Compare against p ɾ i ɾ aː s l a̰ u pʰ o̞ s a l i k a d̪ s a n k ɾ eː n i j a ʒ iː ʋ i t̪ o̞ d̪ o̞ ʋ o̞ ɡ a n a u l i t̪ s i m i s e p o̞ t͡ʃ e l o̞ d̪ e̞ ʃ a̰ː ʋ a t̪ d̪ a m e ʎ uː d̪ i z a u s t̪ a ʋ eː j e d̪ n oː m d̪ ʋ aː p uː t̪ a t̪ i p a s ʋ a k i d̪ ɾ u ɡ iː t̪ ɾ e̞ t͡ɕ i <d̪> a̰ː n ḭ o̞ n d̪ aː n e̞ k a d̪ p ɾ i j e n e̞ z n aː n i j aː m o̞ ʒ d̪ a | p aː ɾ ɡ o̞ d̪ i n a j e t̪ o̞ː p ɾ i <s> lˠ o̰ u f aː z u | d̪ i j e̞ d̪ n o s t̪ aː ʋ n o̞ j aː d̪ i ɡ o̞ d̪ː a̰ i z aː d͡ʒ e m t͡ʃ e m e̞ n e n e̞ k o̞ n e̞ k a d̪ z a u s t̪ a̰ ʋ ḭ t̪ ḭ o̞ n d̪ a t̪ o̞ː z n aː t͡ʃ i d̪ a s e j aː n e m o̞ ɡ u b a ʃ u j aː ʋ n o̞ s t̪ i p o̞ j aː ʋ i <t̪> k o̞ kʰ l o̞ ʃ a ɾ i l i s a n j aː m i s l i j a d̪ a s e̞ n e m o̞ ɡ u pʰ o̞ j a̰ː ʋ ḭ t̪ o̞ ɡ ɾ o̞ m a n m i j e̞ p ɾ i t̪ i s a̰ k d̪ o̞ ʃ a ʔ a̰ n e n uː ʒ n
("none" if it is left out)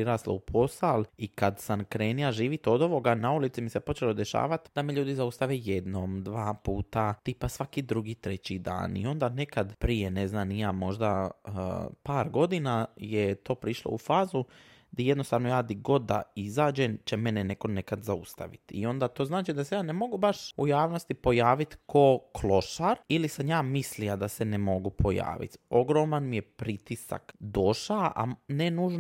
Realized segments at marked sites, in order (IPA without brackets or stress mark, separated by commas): d̪, ʃ, t̪